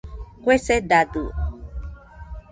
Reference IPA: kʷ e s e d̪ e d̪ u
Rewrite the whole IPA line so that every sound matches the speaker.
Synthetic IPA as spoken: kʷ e s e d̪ a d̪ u